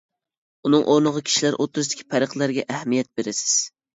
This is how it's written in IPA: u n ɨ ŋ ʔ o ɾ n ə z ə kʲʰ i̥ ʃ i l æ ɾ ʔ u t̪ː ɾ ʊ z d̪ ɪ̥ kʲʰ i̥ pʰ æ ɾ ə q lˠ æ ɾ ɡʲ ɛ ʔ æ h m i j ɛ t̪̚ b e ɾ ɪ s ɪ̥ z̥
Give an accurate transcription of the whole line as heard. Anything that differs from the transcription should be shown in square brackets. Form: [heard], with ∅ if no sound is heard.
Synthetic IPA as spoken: u n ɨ ŋ ʔ o ɾ n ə [ʁ] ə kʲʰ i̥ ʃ i l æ ɾ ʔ [o] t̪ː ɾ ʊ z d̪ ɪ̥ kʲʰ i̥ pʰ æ ɾ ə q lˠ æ ɾ ɡʲ ɛ ʔ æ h m i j ɛ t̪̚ b e ɾ ɪ s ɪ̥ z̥